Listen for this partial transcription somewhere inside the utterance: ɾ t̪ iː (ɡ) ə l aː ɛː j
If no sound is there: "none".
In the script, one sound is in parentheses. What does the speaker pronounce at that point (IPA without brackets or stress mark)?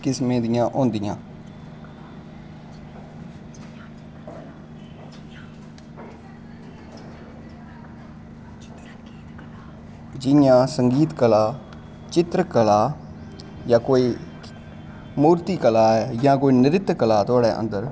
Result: k